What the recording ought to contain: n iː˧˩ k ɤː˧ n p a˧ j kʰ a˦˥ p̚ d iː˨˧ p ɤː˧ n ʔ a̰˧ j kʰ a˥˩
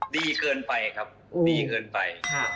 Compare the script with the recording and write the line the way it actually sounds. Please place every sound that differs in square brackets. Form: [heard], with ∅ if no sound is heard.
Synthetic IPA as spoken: [d] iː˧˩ k ɤː˧ n p a˧ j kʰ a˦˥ p̚ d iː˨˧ [k] ɤː˧ n [p] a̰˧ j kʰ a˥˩